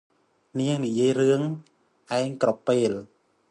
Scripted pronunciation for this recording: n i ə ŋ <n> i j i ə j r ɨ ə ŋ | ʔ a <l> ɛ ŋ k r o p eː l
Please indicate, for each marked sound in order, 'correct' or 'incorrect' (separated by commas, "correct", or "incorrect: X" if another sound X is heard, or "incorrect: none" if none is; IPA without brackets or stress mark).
correct, incorrect: none